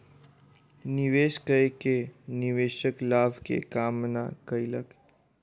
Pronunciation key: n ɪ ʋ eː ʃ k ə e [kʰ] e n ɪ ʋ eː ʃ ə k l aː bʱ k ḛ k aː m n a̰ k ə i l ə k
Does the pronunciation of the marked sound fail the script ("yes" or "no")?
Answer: yes